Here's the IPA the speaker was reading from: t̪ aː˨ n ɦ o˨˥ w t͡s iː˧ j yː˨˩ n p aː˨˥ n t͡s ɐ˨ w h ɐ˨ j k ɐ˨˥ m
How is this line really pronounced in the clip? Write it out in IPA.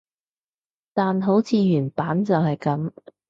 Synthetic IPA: t̪ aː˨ n ɦ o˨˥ w t͡sʰ iː˧ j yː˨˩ n p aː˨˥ n t͡s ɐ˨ w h ɐ˨ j k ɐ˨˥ m